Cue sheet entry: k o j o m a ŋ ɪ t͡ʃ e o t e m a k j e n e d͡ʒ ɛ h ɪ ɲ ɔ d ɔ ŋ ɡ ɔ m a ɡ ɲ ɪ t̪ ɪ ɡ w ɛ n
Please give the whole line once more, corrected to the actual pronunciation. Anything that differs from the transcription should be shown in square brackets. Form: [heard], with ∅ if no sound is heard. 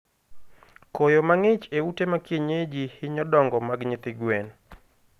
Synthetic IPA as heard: k o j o m a ŋ ɪ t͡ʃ e [u] t e m a k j e [ɲ] e d͡ʒ [i] h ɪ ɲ ɔ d ɔ ŋ ɡ ɔ m a ɡ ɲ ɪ t̪ ɪ ɡ w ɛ n